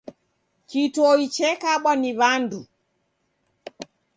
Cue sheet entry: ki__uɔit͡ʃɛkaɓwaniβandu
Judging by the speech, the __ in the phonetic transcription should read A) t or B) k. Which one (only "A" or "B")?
A